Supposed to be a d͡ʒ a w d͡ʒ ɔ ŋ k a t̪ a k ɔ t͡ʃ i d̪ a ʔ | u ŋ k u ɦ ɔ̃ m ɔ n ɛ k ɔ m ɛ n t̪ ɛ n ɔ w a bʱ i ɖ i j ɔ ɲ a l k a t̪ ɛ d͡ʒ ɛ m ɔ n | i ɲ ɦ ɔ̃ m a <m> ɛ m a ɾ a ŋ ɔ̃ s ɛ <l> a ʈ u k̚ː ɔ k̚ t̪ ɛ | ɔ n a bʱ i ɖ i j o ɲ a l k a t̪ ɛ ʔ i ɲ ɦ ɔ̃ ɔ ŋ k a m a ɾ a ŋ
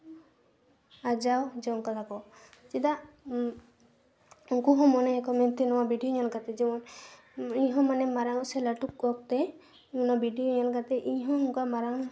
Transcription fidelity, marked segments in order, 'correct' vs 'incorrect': incorrect: n, correct

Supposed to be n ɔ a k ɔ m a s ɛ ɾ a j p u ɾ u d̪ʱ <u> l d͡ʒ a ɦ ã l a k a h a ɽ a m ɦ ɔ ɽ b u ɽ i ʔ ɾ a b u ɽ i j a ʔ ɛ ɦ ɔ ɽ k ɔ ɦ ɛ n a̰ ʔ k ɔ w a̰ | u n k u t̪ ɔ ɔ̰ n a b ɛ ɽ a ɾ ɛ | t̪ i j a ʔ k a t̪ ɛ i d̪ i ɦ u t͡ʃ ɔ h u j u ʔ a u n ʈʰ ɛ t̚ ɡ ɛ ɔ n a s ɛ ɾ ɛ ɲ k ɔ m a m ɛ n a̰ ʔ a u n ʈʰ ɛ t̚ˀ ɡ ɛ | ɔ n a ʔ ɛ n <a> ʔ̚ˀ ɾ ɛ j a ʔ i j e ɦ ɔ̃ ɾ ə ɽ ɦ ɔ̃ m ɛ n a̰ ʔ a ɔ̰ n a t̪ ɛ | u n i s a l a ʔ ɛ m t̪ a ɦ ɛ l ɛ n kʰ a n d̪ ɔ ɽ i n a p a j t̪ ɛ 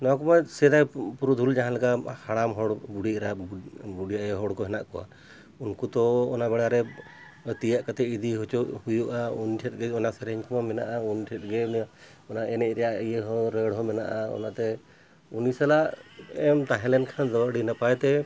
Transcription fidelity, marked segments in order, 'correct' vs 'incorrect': correct, incorrect: ɛ

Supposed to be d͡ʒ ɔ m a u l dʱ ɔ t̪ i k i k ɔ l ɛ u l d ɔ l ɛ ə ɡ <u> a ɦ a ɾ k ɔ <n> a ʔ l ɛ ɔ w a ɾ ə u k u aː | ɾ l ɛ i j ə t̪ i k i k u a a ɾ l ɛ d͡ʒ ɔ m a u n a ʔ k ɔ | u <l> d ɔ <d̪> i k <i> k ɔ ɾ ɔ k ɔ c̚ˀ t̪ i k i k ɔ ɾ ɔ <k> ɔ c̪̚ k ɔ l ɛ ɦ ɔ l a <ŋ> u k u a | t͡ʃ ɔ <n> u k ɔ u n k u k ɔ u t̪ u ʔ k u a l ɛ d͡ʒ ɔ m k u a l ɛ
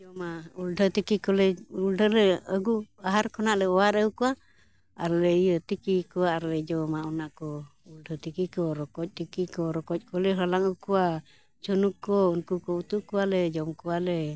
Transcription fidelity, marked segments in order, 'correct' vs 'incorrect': correct, correct, correct, incorrect: t̪, correct, correct, correct, correct

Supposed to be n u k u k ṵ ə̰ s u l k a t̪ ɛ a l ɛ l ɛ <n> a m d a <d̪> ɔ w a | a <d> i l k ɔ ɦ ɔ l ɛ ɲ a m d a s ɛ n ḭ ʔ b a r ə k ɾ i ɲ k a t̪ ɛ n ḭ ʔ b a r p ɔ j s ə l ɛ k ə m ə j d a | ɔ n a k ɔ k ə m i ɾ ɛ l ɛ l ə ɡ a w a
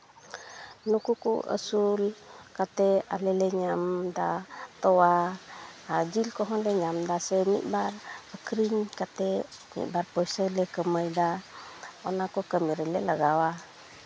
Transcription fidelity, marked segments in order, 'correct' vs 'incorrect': incorrect: ɲ, incorrect: t̪, incorrect: d͡ʒ

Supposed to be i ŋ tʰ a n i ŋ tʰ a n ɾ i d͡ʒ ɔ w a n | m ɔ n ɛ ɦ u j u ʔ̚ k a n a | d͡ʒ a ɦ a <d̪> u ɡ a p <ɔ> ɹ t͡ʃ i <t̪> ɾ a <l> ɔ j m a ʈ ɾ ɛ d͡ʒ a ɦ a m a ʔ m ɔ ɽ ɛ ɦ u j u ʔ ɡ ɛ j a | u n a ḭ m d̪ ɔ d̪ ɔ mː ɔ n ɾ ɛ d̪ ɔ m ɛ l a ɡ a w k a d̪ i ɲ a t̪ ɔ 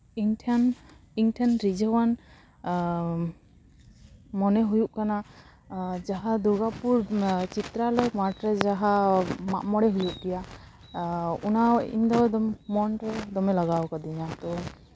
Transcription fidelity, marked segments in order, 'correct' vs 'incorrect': correct, incorrect: u, correct, correct

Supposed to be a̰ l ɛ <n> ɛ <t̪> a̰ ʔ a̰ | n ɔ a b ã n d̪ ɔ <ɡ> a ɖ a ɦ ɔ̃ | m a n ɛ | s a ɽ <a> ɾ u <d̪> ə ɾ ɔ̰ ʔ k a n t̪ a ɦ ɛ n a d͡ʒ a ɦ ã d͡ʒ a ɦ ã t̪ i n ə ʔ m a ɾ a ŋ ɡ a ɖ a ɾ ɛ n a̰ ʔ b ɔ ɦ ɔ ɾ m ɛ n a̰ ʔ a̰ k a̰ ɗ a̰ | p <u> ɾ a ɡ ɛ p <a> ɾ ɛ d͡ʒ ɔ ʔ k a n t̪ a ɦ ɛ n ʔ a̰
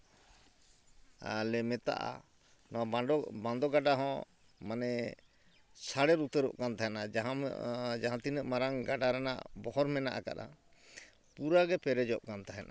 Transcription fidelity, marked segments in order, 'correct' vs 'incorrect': incorrect: m, correct, correct, incorrect: ɛ, incorrect: t̪, correct, incorrect: ɛ

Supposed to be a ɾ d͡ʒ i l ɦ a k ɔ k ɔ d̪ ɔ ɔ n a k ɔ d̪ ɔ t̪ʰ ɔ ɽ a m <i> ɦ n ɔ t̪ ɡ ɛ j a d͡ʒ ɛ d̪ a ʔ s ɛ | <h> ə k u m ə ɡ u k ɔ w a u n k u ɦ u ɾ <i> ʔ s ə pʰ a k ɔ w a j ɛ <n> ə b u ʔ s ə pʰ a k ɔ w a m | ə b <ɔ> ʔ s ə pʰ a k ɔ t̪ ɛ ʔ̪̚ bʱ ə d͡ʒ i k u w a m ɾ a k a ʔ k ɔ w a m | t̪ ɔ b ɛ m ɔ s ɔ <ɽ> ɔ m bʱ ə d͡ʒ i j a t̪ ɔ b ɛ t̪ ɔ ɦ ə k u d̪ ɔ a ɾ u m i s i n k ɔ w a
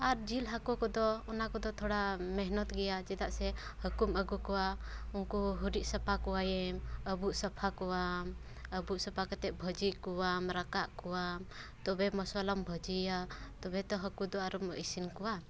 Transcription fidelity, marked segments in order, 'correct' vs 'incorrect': incorrect: ɛ, correct, correct, incorrect: m, incorrect: u, incorrect: l

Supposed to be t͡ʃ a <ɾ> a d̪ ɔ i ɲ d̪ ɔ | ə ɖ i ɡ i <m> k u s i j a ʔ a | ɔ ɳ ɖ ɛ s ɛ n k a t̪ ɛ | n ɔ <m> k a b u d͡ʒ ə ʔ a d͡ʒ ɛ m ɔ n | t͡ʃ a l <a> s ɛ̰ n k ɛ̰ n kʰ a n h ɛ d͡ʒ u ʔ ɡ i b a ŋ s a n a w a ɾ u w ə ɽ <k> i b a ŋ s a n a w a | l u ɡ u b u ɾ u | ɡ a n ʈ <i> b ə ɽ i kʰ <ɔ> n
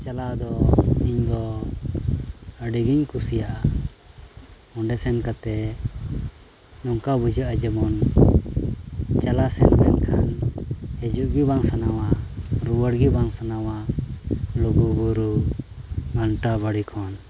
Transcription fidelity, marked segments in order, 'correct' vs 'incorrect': incorrect: l, incorrect: ɲ, incorrect: ŋ, correct, incorrect: ɡ, incorrect: a, correct

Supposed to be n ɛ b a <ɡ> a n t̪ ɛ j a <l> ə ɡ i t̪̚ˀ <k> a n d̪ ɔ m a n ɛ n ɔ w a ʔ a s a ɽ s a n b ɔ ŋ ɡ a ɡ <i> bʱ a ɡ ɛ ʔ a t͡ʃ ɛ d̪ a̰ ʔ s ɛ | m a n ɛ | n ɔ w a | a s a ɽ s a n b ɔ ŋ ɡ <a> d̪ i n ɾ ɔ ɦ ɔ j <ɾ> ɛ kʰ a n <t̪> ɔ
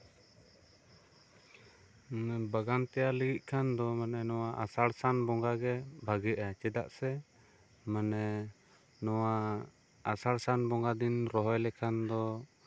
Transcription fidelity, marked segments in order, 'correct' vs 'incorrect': correct, correct, incorrect: kʰ, incorrect: ɛ, correct, incorrect: l, incorrect: d̪

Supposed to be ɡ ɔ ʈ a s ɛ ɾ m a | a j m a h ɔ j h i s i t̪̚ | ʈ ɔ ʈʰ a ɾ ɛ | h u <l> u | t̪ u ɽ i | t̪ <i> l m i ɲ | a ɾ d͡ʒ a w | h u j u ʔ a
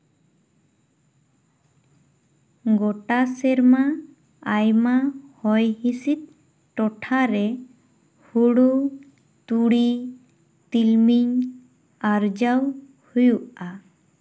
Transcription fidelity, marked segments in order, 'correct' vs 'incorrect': incorrect: ɽ, correct

